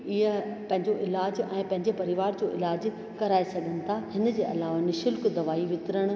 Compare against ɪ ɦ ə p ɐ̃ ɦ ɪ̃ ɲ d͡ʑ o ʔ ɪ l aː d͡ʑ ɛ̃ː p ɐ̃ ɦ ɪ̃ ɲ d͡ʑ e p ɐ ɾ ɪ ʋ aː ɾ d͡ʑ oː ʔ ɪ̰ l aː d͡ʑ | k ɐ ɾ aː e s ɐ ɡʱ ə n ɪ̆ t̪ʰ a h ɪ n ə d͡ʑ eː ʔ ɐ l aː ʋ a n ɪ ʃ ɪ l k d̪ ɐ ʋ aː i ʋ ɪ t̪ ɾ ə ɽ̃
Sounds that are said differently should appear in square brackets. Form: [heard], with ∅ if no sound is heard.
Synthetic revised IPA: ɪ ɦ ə p ɐ̃ ɦ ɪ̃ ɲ d͡ʑ o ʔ ɪ l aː d͡ʑ ɛ̃ː p ɐ̃ ɦ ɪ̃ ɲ d͡ʑ e p ɐ ɾ ɪ ʋ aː ɾ d͡ʑ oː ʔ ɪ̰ l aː d͡ʑ | k ɐ ɾ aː e s ɐ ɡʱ ə n ɪ̆ t̪ʰ a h ɪ n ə d͡ʑ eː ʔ ɐ l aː ʋ a n ɪ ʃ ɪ l k d̪ ɐ ʋ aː i ʋ ɪ t̪ ɾ ə ɽ̃